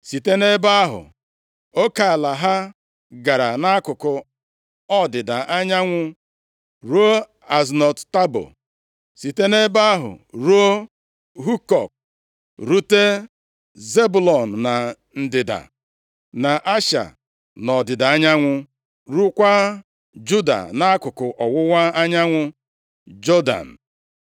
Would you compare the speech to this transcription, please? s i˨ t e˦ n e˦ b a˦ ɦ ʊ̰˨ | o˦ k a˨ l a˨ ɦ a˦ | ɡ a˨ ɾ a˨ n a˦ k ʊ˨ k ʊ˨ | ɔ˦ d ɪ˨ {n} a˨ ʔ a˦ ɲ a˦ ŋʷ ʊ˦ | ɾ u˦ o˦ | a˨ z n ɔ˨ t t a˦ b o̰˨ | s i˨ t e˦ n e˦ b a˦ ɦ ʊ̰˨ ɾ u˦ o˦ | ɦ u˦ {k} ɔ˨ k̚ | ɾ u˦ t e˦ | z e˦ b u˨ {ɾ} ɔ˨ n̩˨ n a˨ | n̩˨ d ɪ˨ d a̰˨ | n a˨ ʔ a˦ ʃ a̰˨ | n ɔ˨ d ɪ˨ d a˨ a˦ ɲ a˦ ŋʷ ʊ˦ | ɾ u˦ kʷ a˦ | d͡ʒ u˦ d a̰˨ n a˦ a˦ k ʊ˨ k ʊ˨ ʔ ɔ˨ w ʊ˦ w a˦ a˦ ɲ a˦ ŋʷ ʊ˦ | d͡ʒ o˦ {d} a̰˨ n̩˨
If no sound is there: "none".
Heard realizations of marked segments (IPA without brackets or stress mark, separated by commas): d, k, l, d